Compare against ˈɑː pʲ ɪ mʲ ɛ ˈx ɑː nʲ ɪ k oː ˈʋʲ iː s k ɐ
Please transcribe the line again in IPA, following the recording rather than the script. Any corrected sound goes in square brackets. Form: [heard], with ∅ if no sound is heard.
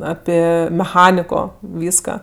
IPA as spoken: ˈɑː pʲ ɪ mʲ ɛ ˈx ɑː nʲ ɪ k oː ˈʋʲ iː s k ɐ